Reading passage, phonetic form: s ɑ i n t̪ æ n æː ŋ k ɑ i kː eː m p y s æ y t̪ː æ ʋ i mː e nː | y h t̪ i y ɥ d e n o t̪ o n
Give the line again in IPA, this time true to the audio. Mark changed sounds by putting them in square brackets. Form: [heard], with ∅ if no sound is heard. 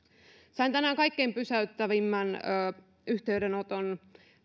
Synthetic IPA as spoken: s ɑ i n t̪ æ n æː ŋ k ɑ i kː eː m p y s æ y t̪ː æ ʋ i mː [æ] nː | y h t̪ [e] y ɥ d e n o t̪ o n

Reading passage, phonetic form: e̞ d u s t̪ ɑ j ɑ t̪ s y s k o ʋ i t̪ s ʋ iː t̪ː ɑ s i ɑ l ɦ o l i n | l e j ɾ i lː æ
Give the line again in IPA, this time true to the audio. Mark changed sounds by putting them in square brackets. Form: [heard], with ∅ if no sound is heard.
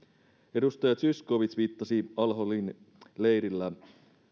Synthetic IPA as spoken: e̞ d u s t̪ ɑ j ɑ t̪ s y s k o ʋ i t̪ s ʋ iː t̪ː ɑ s i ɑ l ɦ o l i n | l e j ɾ i lː æ

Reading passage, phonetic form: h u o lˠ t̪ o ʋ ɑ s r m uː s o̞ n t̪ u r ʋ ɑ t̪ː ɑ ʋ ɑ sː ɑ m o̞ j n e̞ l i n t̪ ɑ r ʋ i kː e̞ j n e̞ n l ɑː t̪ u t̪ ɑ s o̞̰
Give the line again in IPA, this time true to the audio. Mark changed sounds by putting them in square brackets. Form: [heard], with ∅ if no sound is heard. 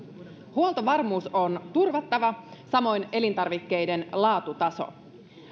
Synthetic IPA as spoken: h u o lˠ t̪ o ʋ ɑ [∅] r m uː s o̞ n t̪ u r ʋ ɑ t̪ː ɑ ʋ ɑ [s] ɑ m o̞ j n e̞ l i n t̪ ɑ r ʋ i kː e̞ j [d] e̞ n l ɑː t̪ u t̪ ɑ s o̞̰

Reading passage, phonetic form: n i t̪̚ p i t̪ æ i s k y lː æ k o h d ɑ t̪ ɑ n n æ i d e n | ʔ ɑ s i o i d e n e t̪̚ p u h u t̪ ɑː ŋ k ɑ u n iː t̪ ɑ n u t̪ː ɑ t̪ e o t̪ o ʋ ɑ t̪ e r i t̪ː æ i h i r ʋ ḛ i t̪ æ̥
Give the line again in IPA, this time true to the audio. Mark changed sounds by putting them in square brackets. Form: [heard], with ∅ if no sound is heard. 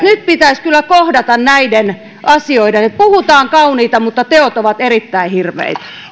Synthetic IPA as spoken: n [y] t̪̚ p i t̪ æ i s k y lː æ k o h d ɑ t̪ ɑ n n æ i d e n | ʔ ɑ s i o i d e n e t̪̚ p u h u t̪ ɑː ŋ k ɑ u n iː t̪ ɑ [m] u t̪ː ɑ t̪ e o t̪ o ʋ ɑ t̪ e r i t̪ː æ i h i r ʋ ḛ i t̪ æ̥

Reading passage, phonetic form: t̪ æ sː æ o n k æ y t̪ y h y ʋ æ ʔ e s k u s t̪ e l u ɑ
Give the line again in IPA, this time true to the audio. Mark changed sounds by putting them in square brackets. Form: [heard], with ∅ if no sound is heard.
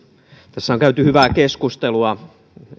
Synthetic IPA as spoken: t̪ æ sː æ o [ŋ] k æ y t̪ y h y ʋ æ [k] e s k u s t̪ e l u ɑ

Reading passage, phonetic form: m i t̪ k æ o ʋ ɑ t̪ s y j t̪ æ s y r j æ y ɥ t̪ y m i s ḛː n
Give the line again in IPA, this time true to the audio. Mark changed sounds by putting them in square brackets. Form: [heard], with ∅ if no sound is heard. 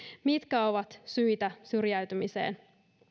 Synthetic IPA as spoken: m i t̪ k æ o ʋ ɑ t̪ s y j t̪ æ s y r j æ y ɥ t̪ y m i s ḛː n

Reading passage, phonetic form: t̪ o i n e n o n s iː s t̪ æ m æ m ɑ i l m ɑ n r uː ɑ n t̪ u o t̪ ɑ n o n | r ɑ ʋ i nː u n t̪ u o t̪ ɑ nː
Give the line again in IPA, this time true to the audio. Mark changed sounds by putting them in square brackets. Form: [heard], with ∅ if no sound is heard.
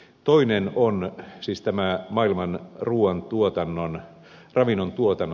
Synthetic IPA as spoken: t̪ o i n e n o n s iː s t̪ æ m æ m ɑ i l m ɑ n r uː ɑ n t̪ u o t̪ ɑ [nː] o n | r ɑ ʋ i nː [o] n t̪ u o t̪ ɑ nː

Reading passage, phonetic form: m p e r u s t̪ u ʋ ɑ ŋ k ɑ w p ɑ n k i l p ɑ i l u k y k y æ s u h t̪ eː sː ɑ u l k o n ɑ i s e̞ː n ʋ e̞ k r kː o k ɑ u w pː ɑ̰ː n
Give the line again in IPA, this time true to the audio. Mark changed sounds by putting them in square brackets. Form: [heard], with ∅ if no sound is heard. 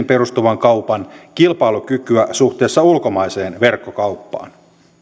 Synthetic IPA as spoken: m p e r u s t̪ u ʋ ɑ ŋ k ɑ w p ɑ n k i l p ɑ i l u k y k y æ s u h t̪ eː sː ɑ u l k o [m] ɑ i s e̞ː n ʋ e̞ [∅] r kː o k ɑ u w pː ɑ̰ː n

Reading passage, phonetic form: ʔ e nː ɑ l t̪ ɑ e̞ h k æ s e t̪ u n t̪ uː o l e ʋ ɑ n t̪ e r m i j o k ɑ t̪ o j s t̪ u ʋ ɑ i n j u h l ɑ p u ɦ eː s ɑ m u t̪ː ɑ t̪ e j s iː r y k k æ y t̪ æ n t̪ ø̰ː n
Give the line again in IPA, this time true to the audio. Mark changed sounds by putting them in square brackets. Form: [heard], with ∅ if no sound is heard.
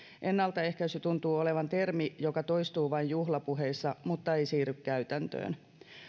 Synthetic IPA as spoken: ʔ e nː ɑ l t̪ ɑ e̞ h k æ s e t̪ u n t̪ uː o l e ʋ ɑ n t̪ e r m i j o k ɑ t̪ o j s t̪ [uː] ʋ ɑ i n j u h l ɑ p u ɦ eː [sː] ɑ m u t̪ː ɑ [∅] e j s iː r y k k æ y t̪ æ n t̪ ø̰ː n

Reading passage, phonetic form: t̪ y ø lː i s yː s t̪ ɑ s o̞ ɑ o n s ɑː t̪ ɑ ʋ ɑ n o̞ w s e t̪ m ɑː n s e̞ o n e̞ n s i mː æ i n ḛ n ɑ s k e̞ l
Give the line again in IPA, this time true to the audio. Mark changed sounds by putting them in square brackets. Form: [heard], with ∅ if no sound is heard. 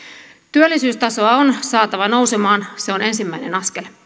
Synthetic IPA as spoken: t̪ y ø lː i s yː s t̪ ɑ s o̞ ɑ o n s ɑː t̪ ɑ ʋ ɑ n o̞ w s e [∅] m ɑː n s e̞ o n e̞ n s i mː æ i n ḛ n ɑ s k e̞ l

